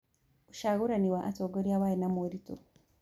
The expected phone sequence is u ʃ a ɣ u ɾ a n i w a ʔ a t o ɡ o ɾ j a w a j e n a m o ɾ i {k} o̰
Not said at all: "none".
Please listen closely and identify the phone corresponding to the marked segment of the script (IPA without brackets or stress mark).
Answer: t